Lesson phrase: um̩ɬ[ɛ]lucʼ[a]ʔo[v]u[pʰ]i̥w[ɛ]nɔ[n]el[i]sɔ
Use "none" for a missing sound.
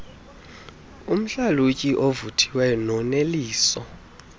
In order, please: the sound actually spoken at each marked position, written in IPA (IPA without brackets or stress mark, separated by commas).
a, i, v, tʰ, ɛ, n, iː